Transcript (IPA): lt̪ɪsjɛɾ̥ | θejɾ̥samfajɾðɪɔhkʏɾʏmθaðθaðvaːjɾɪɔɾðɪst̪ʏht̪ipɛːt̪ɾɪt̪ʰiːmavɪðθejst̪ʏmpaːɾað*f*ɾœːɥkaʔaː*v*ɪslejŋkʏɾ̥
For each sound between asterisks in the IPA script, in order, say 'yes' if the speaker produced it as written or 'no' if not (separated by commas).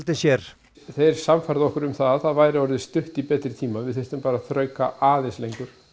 no, no